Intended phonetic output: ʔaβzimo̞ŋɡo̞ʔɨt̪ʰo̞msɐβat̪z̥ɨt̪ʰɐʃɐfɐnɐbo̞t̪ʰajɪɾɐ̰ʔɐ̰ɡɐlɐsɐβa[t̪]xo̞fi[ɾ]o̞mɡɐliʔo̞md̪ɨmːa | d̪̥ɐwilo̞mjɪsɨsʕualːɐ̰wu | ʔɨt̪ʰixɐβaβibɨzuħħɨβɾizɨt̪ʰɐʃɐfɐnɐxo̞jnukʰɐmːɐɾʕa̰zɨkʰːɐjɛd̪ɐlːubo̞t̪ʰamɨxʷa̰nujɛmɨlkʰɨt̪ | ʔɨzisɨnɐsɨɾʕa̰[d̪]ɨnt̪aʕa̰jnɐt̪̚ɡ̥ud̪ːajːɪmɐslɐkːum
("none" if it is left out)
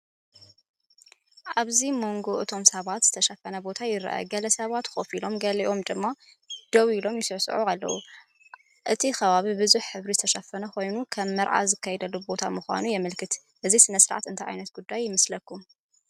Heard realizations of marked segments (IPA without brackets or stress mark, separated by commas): t̪, l, t̪